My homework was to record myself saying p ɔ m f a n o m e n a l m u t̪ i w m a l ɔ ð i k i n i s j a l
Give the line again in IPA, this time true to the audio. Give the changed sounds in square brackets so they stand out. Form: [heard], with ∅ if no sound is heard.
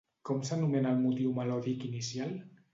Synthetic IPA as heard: [k] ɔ m [s] a n [u] m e n a l m u t̪ i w m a l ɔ ð i k i n i s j a l